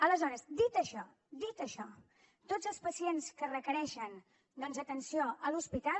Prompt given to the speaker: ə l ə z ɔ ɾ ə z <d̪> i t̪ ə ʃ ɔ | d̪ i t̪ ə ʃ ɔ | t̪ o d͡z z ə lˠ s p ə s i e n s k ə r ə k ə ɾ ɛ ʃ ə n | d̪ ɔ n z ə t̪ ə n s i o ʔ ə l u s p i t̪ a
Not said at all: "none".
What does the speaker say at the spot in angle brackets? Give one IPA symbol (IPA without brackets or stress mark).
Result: d̪